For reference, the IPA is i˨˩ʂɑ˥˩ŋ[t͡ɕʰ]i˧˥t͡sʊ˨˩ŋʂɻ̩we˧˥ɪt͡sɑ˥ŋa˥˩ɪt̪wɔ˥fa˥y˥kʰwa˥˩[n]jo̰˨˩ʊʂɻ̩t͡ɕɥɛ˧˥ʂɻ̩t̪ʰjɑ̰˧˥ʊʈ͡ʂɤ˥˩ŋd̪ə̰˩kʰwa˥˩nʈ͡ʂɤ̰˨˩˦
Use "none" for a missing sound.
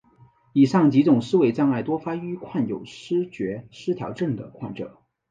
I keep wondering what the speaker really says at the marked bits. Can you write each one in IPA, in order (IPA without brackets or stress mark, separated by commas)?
t͡ɕ, n